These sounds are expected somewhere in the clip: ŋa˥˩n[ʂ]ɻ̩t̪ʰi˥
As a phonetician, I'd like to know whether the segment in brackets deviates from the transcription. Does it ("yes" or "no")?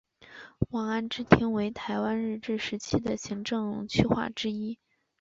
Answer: yes